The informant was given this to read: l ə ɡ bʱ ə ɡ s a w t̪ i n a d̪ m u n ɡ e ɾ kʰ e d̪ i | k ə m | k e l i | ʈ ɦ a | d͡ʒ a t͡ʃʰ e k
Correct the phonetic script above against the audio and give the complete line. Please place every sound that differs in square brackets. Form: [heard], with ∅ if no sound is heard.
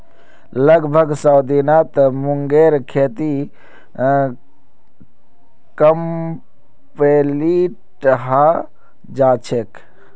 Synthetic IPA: l ə ɡ bʱ ə ɡ s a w [d̪] i n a [t̪] m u [ŋ] ɡ e ɾ kʰ e [t̪] i | k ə m | [p] e l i | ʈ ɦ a | d͡ʒ a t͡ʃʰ e k